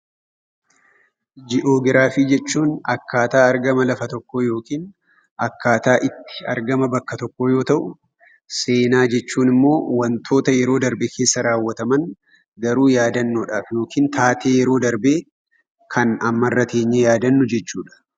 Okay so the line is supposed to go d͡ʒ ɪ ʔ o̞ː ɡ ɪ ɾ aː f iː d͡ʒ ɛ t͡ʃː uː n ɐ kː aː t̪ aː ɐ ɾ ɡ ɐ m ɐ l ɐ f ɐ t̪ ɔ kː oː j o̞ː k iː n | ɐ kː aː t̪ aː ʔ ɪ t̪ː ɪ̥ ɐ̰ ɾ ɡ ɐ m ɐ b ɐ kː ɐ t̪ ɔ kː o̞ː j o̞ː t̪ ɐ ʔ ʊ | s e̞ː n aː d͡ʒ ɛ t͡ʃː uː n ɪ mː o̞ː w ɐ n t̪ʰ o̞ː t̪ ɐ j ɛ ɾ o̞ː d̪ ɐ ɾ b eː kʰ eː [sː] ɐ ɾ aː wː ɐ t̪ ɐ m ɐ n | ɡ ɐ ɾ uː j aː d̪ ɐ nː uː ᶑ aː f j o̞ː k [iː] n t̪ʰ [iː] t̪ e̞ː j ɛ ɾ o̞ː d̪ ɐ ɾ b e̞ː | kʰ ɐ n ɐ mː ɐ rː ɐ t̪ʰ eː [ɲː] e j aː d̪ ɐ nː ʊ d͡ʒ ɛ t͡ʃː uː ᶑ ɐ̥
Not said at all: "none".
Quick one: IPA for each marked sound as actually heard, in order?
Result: sː, iː, aː, ɲː

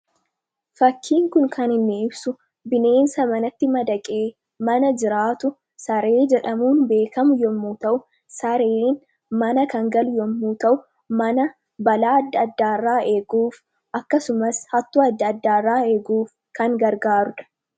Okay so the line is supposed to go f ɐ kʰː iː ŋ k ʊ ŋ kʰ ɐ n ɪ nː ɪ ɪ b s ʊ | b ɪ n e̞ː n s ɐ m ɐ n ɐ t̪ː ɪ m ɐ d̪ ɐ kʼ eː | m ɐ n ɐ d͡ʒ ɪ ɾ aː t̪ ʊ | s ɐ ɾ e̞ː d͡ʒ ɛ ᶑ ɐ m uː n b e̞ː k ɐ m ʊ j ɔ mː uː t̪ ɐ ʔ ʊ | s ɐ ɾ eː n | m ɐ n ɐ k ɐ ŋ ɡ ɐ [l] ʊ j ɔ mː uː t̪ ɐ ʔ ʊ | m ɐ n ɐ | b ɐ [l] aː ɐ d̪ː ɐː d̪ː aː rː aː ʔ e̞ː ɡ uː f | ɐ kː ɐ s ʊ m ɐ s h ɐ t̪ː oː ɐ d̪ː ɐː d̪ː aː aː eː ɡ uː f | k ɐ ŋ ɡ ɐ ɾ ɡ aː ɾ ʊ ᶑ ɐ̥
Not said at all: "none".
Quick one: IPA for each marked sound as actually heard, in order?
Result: l, l

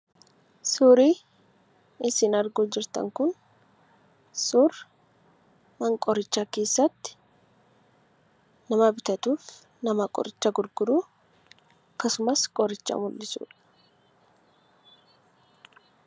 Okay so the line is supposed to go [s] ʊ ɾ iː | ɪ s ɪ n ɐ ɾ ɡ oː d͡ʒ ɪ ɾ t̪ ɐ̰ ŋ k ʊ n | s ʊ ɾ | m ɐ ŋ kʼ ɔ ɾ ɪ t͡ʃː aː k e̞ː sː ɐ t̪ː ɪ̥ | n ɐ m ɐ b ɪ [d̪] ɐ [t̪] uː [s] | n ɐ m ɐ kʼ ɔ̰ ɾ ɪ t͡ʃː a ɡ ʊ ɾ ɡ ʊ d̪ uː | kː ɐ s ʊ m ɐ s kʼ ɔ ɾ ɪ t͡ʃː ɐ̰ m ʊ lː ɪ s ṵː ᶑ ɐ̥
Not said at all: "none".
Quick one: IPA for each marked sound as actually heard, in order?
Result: s, t̪, t̪, f

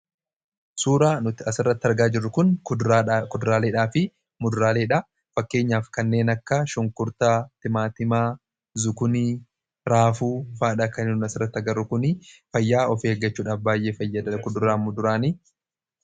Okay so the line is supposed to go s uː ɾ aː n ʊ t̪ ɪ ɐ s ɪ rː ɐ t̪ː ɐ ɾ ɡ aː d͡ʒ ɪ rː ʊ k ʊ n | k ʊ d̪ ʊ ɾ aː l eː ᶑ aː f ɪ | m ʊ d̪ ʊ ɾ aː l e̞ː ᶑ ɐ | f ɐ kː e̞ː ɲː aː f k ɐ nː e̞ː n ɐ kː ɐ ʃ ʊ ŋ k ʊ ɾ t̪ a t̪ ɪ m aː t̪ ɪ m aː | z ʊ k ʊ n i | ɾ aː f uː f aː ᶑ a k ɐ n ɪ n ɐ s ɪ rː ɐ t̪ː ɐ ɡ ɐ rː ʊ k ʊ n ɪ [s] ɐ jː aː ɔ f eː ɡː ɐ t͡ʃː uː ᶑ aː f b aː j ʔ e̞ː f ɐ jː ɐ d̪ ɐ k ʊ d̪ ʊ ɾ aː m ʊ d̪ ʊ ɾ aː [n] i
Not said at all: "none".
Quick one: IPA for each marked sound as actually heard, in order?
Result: f, n

